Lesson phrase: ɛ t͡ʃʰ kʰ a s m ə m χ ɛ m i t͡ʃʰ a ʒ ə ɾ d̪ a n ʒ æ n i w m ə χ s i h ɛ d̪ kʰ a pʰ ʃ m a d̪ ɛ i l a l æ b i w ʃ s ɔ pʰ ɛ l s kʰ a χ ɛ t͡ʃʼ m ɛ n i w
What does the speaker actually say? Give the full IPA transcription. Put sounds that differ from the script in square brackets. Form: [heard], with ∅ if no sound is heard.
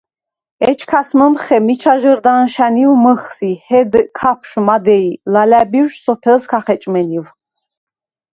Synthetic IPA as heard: ɛ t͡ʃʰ kʰ a s m ə m χ ɛ m i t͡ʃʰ a ʒ ə ɾ d̪ a n [ʃ] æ n i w m ə χ s i h ɛ d̪ kʰ a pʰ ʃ m a d̪ ɛ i l a l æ b i w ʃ s ɔ pʰ ɛ l s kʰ a χ ɛ t͡ʃʼ m ɛ n i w